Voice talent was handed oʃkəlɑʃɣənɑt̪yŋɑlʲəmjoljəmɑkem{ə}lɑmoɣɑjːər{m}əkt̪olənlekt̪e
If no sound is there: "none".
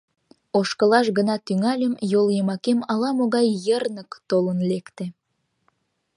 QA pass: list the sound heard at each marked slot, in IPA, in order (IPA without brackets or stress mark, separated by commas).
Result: ɑ, n